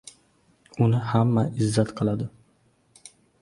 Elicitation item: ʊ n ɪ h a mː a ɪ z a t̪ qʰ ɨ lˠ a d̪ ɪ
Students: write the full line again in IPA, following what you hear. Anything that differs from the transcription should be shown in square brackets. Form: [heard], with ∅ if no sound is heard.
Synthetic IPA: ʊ n ɪ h a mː a ɪ [zː] a t̪ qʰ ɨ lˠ a d̪ ɪ